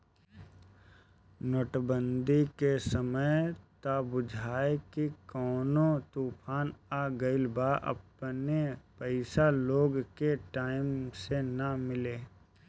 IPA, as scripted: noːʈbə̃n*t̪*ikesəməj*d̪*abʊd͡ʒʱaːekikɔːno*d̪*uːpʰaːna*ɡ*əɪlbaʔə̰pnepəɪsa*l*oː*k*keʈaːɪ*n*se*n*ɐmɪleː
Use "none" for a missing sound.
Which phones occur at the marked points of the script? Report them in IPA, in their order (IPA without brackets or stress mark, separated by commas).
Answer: d̪, t̪, t̪, ɡ, l, ɡ, m, n